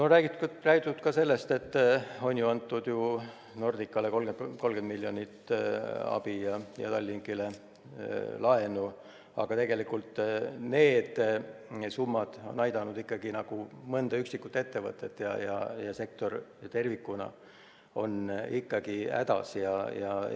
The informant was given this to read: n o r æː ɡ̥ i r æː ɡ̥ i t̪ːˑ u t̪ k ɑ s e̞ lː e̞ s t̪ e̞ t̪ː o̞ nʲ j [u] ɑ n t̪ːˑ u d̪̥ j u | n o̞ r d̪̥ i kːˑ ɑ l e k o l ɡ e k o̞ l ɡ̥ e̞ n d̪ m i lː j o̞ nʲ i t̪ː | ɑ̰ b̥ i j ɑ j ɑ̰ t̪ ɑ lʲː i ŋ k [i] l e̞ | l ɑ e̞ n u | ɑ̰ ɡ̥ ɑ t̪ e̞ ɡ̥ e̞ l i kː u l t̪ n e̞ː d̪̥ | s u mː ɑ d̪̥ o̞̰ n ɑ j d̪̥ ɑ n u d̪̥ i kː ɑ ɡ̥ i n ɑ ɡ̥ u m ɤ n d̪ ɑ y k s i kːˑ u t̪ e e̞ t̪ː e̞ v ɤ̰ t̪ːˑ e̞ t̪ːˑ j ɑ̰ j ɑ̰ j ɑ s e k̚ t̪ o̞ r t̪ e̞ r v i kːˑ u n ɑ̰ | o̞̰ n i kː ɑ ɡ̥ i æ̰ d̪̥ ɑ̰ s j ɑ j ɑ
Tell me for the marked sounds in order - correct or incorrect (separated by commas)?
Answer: correct, correct